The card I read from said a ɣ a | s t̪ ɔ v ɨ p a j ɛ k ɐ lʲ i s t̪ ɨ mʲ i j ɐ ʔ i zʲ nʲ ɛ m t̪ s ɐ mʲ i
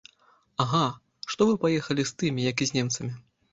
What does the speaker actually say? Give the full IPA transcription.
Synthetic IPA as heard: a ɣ a | ʂ t̪ ɔ v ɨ p a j ɛ x ɐ lʲ i s t̪ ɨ mʲ i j ɐ k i zʲ nʲ ɛ m t̪ s ɐ mʲ i